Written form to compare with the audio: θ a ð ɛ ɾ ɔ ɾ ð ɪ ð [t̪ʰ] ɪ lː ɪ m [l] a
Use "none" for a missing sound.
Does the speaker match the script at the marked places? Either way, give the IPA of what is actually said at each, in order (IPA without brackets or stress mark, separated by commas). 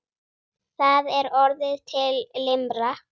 t̪ʰ, ɾ